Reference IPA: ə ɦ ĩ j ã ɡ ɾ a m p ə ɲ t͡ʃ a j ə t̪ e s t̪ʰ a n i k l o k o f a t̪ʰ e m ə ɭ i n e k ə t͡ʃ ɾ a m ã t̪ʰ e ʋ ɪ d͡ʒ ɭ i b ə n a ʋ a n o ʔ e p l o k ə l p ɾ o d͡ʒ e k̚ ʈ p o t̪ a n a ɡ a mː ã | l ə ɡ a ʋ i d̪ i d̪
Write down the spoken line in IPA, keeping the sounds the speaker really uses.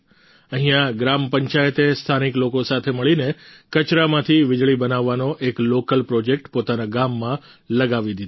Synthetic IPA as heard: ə ɦ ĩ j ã ɡ ɾ a m p ə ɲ t͡ʃ a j ə t̪ e s t̪ʰ a n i k l o k o s a t̪ʰ e m ə ɭ i n e k ə t͡ʃ ɾ a m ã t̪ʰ i ʋ ɪ d͡ʒ ɭ i b ə n a ʋː a n o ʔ e k l o k ə l p ɾ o d͡ʒ e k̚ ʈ p o t̪ a n a ɡ a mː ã | l ə ɡ a ʋ i d̪ i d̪